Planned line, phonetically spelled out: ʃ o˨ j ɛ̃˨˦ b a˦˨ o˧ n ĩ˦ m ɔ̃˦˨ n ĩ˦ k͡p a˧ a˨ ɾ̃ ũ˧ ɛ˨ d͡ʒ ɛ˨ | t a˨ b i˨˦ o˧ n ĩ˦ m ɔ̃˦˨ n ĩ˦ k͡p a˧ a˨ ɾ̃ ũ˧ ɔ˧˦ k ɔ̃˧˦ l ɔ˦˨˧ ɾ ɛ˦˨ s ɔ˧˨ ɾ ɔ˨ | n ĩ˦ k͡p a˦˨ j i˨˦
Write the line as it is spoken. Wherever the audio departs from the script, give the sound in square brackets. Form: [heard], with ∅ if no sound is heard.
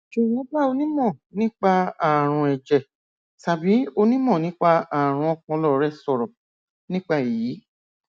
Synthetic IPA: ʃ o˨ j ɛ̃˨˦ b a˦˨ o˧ n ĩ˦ m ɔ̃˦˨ n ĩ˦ k͡p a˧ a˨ ɾ̃ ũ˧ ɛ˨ d͡ʒ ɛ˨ | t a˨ b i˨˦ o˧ n ĩ˦ m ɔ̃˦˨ n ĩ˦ k͡p a˧ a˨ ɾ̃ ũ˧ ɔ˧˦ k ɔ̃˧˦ l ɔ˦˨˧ ɾ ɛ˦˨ s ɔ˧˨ ɾ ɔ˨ | n ĩ˦ k͡p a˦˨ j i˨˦